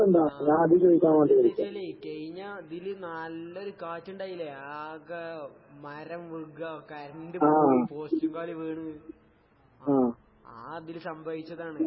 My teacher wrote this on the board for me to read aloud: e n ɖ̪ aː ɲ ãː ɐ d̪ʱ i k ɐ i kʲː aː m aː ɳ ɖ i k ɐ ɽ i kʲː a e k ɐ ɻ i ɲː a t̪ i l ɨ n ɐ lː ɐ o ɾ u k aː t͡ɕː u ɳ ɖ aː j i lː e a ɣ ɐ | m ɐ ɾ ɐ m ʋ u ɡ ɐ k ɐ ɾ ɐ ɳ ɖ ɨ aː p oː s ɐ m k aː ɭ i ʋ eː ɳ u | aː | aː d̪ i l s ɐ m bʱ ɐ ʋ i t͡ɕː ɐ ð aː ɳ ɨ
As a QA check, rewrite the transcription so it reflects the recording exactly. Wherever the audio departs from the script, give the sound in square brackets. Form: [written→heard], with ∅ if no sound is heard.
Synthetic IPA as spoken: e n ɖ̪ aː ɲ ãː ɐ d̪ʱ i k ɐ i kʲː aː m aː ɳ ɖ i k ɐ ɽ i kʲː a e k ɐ ɻ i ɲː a [t̪→d̪] i l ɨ n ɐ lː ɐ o ɾ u k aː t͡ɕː u ɳ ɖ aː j i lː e a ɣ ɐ | m ɐ ɾ ɐ m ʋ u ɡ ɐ k ɐ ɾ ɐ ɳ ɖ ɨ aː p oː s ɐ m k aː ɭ i ʋ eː ɳ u | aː | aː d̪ i l s ɐ m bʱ ɐ ʋ i t͡ɕː ɐ ð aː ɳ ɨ

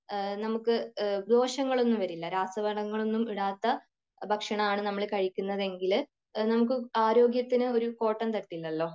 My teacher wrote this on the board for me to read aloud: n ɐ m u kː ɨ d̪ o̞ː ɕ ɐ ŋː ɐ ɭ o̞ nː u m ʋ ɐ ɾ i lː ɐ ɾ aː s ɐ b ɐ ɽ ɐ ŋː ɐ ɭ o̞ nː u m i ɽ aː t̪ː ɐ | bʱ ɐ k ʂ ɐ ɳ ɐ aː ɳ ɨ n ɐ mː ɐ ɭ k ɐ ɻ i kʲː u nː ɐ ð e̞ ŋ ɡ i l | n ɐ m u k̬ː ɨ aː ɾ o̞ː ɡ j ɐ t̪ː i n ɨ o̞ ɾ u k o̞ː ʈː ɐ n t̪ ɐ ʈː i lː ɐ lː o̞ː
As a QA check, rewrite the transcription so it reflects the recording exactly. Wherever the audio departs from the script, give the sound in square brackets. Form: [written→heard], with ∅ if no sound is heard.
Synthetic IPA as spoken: n ɐ m u kː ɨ d̪ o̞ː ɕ ɐ ŋː ɐ ɭ o̞ nː u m ʋ ɐ ɾ i lː ɐ ɾ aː s ɐ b ɐ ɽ ɐ ŋː ɐ ɭ o̞ nː u m i ɽ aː t̪ː ɐ | bʱ ɐ k ʂ ɐ ɳ ɐ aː ɳ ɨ n ɐ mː ɐ ɭ k ɐ ɻ i kʲː u nː ɐ ð e̞ ŋ ɡ i l | n ɐ m u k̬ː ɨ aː ɾ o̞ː ɡ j ɐ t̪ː i n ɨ o̞ ɾ u k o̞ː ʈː ɐ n t̪ ɐ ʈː i lː ɐ lː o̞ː

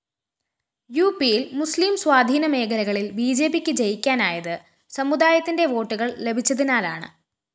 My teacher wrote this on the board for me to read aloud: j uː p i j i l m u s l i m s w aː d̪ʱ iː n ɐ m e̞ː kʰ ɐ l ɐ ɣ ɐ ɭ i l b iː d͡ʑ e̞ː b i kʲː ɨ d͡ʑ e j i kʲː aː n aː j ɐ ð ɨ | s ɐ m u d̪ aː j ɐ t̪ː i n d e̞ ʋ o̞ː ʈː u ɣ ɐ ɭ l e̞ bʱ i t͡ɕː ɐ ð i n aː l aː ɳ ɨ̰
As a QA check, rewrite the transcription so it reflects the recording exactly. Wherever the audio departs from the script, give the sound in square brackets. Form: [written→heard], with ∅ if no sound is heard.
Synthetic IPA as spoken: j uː p i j i l m u s l i m s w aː d̪ʱ iː n ɐ m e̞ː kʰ ɐ l ɐ ɣ ɐ ɭ i l b iː d͡ʑ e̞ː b i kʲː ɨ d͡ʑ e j i kʲː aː n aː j ɐ ð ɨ | s ɐ m u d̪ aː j ɐ t̪ː i n d e̞ ʋ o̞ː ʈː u ɣ ɐ ɭ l e̞ bʱ i t͡ɕː ɐ ð i n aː l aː ɳ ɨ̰

